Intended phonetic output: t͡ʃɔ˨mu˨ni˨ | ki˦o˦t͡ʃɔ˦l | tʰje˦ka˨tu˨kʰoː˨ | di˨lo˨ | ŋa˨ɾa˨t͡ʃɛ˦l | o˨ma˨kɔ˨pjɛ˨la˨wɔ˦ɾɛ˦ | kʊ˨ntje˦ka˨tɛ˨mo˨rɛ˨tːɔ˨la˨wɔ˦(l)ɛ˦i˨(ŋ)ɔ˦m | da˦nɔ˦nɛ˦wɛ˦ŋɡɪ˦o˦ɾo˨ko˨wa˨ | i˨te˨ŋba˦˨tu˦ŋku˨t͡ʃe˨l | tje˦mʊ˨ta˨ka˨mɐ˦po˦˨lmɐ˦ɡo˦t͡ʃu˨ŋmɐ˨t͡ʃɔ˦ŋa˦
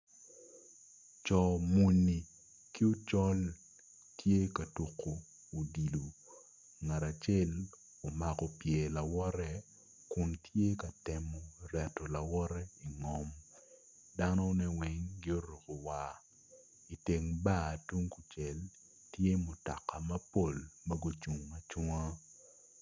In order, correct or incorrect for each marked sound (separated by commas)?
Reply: incorrect, correct